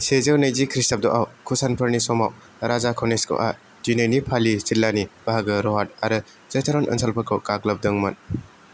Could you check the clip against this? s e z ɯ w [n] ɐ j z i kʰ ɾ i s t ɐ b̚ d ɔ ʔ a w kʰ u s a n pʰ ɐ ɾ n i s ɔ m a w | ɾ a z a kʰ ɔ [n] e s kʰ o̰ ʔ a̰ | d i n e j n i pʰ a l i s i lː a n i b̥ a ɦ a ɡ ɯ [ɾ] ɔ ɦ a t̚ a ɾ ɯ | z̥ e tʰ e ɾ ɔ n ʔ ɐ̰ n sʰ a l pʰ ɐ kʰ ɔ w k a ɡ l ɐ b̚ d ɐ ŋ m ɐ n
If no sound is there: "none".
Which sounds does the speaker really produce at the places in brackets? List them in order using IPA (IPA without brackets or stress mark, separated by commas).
n, n, ɾ